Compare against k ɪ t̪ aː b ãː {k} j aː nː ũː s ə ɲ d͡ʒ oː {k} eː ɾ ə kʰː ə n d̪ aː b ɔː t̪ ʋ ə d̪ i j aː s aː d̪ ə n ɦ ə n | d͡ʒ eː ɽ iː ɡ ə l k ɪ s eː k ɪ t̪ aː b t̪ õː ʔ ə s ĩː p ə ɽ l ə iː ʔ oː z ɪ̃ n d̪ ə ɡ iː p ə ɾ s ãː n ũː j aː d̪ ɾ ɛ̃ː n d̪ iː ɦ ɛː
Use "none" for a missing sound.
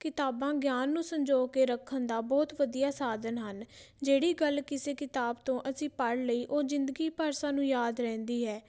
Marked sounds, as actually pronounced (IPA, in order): ɡ, k

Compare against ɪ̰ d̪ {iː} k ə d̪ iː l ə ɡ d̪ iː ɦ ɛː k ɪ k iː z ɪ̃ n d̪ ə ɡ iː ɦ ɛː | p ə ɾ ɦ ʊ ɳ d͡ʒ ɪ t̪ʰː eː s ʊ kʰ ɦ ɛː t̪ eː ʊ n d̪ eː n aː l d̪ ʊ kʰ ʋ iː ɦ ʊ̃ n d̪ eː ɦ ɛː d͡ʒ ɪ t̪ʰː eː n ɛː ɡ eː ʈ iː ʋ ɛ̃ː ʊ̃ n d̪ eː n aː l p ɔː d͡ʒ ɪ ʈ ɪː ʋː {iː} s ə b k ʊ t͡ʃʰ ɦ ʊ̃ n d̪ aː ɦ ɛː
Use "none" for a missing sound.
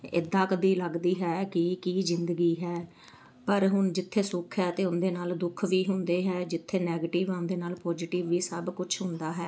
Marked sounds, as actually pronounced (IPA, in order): aː, iː

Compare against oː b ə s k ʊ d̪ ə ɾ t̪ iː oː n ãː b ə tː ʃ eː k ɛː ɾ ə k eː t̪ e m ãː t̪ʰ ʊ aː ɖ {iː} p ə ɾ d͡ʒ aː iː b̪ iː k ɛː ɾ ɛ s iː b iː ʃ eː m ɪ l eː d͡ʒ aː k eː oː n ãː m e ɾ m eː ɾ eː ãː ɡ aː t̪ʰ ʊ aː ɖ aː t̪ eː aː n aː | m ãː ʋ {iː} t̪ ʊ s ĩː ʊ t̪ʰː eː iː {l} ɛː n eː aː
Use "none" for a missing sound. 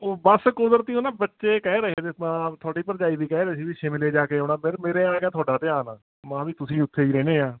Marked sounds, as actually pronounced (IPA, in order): iː, iː, ɾ

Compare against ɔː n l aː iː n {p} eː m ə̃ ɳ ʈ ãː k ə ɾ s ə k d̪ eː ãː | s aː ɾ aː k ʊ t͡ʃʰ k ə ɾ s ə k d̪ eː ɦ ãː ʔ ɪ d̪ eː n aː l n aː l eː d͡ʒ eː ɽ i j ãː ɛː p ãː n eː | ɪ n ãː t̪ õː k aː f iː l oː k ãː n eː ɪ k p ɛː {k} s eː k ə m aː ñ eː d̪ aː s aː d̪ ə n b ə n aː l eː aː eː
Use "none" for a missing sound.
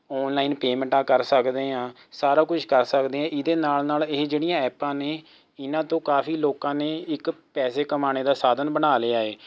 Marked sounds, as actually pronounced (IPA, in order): p, none

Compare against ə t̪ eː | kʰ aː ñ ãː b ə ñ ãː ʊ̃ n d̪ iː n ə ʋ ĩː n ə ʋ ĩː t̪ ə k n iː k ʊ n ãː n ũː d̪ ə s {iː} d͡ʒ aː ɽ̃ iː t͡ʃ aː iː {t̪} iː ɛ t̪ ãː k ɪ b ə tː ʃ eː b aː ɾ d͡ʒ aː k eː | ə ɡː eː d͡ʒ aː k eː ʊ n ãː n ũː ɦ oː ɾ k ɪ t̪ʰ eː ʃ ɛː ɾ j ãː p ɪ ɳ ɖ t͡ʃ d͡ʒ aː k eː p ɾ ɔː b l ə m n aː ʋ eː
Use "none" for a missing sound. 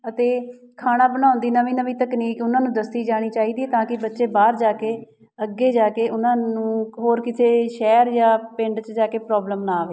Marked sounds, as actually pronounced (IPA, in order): iː, d̪

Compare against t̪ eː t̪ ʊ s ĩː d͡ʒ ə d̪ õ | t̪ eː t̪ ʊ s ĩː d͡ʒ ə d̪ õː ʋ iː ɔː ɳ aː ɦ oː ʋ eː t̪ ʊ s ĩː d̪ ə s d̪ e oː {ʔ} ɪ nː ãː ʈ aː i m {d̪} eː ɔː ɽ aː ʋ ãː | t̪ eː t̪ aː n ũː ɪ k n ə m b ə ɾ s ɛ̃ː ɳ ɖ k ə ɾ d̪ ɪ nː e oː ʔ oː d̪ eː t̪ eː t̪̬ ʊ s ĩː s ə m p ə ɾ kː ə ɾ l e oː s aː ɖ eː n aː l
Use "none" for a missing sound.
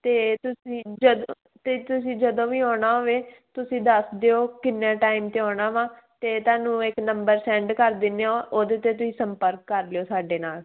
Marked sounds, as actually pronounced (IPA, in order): k, t̪

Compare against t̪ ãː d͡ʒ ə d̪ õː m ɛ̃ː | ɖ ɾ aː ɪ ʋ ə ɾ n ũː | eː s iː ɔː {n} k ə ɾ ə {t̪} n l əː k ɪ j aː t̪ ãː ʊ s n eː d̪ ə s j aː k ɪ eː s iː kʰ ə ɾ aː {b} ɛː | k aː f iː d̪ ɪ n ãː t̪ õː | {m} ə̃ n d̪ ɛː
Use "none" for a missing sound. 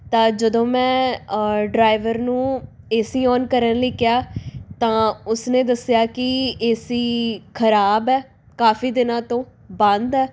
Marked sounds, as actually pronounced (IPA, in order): n, none, b, b

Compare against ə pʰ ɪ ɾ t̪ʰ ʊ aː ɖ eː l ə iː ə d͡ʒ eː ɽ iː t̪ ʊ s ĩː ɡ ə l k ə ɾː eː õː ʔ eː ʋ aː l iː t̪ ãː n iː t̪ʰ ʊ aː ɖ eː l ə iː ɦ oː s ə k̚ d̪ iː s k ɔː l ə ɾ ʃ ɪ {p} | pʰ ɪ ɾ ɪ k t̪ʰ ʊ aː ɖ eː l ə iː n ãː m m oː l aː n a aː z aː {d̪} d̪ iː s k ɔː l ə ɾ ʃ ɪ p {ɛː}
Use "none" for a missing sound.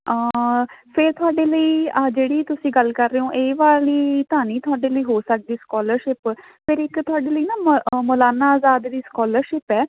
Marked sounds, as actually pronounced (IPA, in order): p, d̪, ɛː

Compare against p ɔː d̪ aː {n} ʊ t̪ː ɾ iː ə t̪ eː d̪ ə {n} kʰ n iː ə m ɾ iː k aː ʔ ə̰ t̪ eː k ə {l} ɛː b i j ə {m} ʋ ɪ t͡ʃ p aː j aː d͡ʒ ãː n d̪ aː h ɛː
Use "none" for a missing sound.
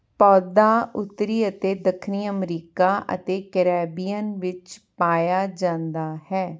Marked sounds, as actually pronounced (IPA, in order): none, none, ɾ, n

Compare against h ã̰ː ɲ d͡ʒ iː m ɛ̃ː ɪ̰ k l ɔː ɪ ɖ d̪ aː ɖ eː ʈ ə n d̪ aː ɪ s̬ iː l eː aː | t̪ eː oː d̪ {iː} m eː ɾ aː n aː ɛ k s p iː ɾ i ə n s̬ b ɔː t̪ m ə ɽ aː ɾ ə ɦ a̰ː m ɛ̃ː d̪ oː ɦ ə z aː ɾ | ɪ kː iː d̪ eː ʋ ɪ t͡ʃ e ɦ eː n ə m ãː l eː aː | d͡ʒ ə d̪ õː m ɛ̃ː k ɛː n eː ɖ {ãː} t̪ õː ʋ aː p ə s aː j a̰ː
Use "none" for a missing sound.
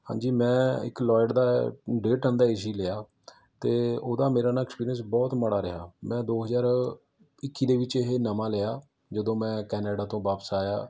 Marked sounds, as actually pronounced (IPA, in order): aː, aː

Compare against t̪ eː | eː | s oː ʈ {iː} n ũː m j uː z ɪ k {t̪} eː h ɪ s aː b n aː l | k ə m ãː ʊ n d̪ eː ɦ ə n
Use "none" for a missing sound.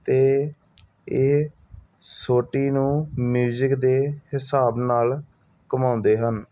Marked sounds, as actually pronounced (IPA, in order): iː, d̪

